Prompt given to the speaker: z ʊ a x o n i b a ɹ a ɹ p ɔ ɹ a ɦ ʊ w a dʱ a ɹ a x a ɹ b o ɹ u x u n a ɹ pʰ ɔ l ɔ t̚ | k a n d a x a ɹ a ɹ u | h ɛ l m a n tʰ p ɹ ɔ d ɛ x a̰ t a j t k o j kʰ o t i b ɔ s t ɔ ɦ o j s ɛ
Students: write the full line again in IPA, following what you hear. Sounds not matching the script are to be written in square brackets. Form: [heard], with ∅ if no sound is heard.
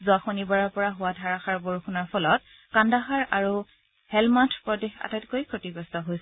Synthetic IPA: z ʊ a x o n i b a ɹ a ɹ p ɔ ɹ a ɦ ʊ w a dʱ a ɹ a x a ɹ b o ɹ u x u n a ɹ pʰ ɔ l ɔ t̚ | k a n d a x a ɹ a ɹ u | h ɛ l m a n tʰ p ɹ ɔ d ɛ x a̰ t a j t k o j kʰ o t i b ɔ s t ɔ ɦ o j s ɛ